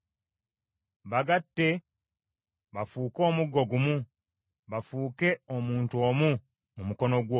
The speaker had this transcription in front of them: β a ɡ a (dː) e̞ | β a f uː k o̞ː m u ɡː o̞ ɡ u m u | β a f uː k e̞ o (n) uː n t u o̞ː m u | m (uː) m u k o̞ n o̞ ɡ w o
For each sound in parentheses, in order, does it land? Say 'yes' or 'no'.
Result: no, no, no

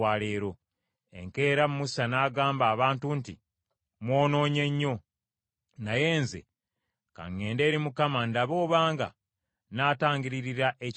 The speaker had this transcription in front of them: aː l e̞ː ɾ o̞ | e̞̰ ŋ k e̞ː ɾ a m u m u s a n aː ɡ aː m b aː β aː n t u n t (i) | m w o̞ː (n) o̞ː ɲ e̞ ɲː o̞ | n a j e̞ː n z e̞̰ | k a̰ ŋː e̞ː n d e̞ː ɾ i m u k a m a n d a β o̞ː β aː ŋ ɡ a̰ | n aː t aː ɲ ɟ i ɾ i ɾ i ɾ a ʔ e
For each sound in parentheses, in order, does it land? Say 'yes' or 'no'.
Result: yes, yes

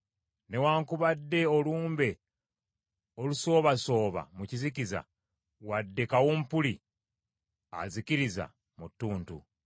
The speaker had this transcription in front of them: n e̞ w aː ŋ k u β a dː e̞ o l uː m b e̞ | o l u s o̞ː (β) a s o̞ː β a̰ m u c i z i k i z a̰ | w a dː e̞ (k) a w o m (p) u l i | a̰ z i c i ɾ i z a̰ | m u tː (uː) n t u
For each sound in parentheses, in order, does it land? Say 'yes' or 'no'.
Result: yes, yes, yes, yes

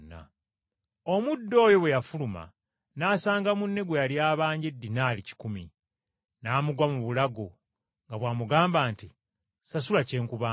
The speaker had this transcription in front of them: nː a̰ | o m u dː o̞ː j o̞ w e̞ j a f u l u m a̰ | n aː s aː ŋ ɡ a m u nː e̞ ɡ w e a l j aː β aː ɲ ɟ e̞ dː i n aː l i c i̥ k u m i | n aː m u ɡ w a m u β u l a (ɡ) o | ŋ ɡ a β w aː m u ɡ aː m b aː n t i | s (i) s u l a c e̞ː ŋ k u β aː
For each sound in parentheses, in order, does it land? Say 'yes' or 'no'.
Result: yes, no

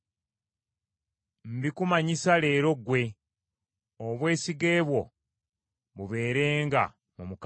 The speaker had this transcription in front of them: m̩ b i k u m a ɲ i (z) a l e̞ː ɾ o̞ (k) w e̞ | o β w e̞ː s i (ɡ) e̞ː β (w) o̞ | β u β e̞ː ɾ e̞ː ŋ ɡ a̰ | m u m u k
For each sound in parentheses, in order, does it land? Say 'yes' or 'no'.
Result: no, no, yes, yes

